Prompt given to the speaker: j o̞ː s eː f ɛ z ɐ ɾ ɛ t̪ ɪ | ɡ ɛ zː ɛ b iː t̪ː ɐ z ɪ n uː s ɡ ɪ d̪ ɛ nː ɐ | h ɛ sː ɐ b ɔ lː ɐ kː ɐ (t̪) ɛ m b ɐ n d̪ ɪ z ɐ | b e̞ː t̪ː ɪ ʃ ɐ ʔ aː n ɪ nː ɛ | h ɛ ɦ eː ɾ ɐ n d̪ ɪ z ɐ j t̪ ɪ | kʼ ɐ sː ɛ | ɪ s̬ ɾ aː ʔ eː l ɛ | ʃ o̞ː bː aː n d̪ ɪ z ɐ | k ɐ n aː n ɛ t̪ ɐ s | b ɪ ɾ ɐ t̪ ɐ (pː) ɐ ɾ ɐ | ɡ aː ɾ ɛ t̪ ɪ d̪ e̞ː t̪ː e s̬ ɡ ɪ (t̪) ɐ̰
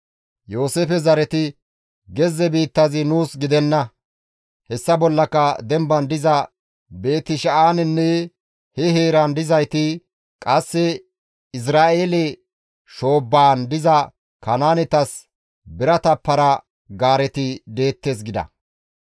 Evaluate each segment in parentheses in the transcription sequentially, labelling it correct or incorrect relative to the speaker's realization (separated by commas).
incorrect, correct, incorrect